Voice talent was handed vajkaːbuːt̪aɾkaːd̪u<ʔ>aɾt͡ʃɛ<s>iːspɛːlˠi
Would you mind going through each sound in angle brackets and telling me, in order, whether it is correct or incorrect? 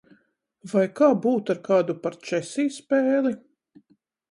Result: incorrect: p, correct

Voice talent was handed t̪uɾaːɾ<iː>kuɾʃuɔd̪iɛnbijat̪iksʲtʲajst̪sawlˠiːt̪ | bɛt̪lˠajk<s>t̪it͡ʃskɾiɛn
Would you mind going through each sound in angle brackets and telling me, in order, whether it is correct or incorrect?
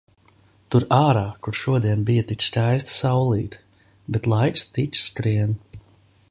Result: incorrect: aː, correct

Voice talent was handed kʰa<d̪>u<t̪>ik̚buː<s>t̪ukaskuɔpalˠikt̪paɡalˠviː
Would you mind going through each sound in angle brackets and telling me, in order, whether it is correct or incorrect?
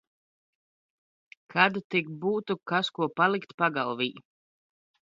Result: correct, correct, incorrect: none

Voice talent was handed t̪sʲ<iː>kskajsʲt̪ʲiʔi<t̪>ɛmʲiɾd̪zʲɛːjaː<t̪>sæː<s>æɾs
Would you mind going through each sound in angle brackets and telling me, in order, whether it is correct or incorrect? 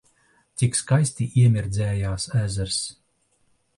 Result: incorrect: i, incorrect: none, incorrect: none, incorrect: z

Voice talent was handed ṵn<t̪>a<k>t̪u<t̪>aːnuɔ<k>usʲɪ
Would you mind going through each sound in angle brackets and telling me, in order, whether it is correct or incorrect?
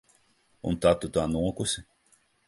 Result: correct, incorrect: none, correct, correct

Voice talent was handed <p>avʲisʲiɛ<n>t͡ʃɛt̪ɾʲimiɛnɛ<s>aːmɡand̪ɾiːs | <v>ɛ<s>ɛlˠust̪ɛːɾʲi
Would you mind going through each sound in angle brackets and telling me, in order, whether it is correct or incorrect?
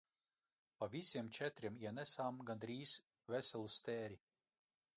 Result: correct, incorrect: m, correct, correct, correct

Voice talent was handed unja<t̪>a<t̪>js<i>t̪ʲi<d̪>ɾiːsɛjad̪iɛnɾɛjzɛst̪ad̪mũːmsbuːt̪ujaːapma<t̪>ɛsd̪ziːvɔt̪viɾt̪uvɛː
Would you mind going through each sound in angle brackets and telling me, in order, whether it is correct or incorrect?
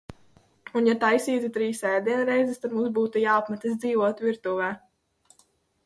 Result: correct, incorrect: none, incorrect: iː, incorrect: t̪, correct

